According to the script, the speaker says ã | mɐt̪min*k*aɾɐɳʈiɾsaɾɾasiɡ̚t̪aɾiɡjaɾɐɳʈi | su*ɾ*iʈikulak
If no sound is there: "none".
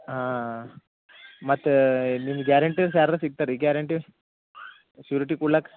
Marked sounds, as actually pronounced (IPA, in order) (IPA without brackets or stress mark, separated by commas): ɡ, ɾ